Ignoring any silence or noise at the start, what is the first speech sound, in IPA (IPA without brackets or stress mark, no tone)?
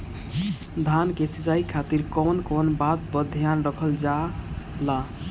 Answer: d̪ʱ